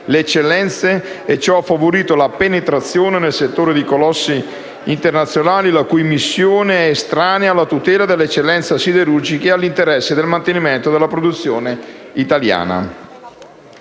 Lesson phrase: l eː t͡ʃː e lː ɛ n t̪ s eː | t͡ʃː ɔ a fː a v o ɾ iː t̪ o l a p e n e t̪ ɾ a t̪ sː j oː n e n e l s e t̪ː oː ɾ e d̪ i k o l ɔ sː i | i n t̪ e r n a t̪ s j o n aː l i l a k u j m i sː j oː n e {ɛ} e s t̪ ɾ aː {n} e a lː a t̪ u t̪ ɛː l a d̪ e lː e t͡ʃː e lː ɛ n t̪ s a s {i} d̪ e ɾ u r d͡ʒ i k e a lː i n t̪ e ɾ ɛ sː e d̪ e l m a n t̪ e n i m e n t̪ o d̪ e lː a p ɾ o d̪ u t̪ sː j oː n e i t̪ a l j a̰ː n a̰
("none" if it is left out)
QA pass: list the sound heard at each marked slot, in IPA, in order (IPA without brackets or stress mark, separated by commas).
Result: ɛ, n, i